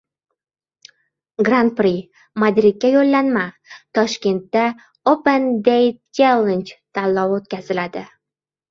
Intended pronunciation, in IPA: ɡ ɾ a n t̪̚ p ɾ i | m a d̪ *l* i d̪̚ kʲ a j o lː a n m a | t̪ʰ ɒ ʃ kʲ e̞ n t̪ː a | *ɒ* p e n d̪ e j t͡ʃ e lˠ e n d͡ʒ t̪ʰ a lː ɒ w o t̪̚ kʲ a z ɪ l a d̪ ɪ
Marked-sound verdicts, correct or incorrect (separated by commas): incorrect, incorrect